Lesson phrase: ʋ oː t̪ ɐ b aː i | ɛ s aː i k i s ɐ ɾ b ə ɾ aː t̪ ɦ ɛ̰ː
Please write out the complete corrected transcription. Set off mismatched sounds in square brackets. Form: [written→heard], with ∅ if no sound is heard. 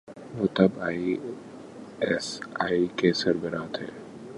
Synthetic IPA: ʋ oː t̪ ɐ b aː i | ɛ s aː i k [i→e] s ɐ ɾ b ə ɾ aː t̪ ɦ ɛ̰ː